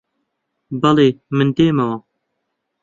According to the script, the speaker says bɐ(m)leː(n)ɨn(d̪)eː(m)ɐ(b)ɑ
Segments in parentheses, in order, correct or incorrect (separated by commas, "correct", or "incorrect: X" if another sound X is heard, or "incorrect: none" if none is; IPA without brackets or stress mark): incorrect: none, incorrect: m, correct, correct, incorrect: w